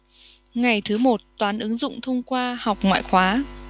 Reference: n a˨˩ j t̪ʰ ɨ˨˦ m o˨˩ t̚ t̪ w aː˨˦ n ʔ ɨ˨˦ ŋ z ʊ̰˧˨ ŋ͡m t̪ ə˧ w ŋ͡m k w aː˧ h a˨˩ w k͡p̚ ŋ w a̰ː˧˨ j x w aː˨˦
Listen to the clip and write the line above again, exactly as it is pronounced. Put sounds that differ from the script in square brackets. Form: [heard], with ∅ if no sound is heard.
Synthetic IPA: [ŋ] a˨˩ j t̪ʰ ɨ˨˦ m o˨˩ t̚ t̪ w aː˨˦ n ʔ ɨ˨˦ ŋ z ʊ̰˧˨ ŋ͡m [t̪ʰ] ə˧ w ŋ͡m k w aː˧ h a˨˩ w k͡p̚ ŋ w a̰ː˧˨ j x w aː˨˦